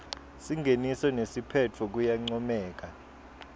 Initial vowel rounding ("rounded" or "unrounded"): unrounded